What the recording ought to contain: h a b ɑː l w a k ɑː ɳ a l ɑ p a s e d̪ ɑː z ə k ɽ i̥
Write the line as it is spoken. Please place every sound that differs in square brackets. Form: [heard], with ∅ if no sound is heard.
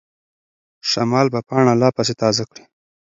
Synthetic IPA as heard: [ʃ] a [m] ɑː l [b] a [p] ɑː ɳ a l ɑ p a s e [t̪] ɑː z [a] k ɽ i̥

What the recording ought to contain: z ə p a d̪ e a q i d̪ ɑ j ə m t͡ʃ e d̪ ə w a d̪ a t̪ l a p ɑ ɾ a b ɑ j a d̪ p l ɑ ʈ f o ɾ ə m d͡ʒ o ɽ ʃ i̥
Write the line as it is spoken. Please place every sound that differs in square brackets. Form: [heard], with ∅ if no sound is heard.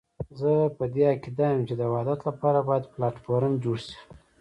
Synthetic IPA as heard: z ə p [ə] d̪ e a [k] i d̪ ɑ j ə m t͡ʃ e d̪ ə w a d̪ a t̪ l a p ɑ ɾ a b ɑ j a d̪ p l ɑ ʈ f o ɾ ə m d͡ʒ o ɽ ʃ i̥

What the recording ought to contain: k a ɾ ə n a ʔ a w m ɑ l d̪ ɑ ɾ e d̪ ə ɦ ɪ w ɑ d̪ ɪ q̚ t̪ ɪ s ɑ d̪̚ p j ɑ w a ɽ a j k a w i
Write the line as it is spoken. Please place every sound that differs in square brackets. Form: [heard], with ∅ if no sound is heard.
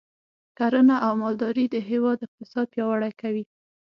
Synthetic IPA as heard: k a ɾ ə n a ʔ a w m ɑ l d̪ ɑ ɾ [i] d̪ ə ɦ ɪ w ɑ d̪ ɪ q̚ t̪ ɪ s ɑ d̪̚ p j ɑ w a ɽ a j k a w i

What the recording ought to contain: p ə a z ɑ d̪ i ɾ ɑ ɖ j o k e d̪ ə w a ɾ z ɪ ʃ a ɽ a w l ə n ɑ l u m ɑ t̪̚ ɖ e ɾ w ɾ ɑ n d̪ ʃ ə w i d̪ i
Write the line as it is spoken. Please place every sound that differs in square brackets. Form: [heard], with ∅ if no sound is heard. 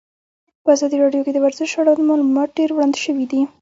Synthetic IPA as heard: p ə a z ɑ d̪ i ɾ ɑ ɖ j o k e d̪ ə w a ɾ z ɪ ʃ a ɽ a w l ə [m] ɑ l u m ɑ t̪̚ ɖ e ɾ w [ɽ] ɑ n d̪ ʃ ə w i d̪ i

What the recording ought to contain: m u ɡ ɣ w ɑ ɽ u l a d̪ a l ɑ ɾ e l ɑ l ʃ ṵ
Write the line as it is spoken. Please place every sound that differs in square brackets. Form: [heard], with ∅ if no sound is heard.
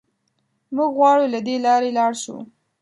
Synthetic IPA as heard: m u ɡ ɣ w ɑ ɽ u l a d̪ [e] l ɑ ɾ e l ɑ [ɽ] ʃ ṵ

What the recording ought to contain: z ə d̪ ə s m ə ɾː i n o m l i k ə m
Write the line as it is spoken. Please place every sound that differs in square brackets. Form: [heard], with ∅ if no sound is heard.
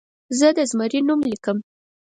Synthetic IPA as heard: z ə d̪ ə [z] m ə [ɾ] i n [u] m l i k ə m

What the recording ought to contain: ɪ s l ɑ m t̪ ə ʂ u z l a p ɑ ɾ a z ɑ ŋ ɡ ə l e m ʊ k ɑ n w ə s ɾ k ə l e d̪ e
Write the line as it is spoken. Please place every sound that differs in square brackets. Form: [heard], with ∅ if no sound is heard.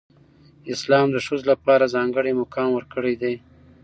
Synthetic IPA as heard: ɪ s l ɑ m [d̪] ə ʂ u z l a p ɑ ɾ a z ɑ ŋ ɡ ə [ɽ] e m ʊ k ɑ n w ə [∅] ɾ k ə [ɽ] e d̪ e

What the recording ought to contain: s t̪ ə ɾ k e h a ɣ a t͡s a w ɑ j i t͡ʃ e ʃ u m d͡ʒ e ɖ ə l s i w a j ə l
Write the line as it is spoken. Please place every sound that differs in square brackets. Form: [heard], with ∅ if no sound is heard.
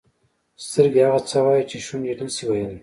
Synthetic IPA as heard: s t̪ ə ɾ [ɡ] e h a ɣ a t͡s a w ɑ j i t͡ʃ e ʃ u [n] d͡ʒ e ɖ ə l s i w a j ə l

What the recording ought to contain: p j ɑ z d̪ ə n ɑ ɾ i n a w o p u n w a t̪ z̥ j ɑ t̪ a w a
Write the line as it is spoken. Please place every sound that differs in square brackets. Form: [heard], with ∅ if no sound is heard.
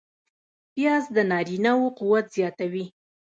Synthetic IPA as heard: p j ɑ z d̪ ə n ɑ ɾ i n a w o [q] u [∅] w a t̪ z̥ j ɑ t̪ a w [i]

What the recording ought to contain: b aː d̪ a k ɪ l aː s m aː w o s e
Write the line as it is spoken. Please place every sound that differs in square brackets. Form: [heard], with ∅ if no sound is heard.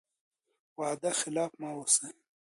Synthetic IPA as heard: [w] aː d̪ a [x] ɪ l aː [f] m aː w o s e

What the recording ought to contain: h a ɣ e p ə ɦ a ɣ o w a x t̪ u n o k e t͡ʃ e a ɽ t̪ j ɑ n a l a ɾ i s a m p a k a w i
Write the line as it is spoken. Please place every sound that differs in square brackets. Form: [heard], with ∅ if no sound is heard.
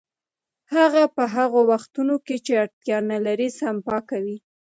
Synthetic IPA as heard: h a ɣ [a] p ə ɦ a ɣ o w a x t̪ u n o k e t͡ʃ e a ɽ t̪ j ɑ n a l a ɾ i s a m p [ɑ] k a w i

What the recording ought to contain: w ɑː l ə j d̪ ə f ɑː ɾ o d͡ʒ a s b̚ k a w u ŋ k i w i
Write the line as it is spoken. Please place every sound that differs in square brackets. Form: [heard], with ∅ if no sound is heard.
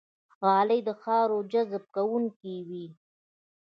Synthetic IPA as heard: [ɣ] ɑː l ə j d̪ ə [x] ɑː ɾ o d͡ʒ a [z] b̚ k a w u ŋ k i w i

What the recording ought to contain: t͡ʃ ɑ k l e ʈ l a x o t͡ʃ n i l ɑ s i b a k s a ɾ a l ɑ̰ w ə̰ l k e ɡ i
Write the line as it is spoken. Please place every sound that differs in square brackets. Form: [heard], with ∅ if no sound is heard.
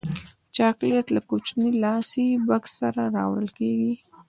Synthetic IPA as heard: t͡ʃ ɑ k l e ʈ l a [k] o t͡ʃ n i l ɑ s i b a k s a ɾ a [ɾ] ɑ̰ w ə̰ l k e ɡ i

